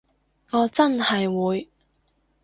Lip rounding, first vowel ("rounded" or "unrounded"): rounded